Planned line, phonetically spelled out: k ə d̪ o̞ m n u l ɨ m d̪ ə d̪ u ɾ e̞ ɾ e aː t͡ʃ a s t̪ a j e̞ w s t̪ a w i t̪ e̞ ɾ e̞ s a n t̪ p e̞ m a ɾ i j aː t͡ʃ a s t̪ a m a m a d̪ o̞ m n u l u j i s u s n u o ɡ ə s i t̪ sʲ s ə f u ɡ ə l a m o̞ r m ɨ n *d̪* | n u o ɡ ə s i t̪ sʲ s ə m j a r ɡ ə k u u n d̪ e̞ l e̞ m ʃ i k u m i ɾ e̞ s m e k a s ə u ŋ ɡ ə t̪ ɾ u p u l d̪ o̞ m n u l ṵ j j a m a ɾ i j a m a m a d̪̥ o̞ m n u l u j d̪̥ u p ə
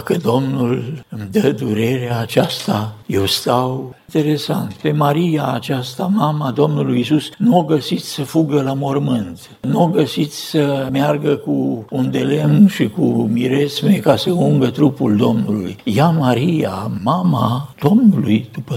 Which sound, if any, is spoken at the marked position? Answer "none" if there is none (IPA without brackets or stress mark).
t̪